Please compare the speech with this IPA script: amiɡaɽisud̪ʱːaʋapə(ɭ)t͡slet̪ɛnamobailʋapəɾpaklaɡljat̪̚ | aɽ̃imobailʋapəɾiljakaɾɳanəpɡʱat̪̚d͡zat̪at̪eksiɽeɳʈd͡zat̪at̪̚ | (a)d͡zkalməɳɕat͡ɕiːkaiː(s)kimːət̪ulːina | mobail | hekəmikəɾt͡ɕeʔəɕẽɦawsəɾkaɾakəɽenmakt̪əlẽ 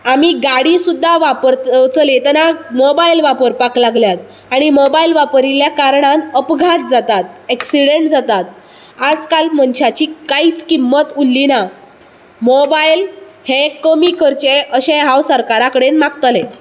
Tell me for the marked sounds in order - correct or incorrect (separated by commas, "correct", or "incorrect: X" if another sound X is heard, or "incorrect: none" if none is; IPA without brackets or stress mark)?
incorrect: ɾ, correct, incorrect: t͡s